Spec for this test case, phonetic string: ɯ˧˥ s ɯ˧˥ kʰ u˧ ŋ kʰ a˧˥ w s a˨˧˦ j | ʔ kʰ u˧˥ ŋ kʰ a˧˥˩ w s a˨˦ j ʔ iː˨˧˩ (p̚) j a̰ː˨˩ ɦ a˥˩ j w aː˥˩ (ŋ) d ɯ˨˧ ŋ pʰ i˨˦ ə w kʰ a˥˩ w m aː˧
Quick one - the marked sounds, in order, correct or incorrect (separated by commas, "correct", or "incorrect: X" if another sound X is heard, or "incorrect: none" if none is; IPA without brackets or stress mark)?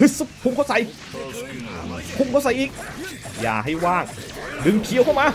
incorrect: k̚, correct